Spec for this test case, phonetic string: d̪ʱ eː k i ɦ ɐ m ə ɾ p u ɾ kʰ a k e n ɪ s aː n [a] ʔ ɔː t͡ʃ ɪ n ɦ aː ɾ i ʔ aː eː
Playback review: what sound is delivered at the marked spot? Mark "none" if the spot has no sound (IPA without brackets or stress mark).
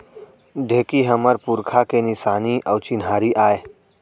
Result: i